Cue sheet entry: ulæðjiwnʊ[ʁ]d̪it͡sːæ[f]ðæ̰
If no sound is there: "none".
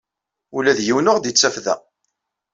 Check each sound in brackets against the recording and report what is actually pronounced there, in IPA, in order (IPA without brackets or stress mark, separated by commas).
ʁ, f